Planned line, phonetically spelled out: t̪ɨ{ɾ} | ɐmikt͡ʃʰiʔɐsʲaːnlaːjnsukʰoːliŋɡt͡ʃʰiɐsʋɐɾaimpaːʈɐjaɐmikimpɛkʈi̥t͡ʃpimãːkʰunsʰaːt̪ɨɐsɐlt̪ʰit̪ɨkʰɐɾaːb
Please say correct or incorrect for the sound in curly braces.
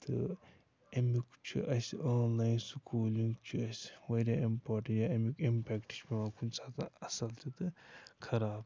incorrect